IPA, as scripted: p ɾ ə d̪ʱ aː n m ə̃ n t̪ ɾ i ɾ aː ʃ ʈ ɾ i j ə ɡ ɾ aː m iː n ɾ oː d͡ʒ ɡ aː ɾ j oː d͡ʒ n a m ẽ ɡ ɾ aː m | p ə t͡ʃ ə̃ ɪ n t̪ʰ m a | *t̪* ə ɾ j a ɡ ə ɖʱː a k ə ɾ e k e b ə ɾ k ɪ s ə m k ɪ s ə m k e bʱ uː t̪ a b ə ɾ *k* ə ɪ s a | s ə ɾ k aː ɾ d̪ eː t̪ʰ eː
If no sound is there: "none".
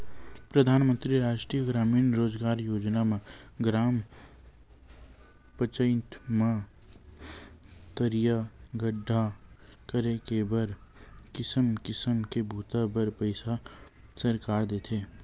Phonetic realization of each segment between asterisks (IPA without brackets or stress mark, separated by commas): t̪, p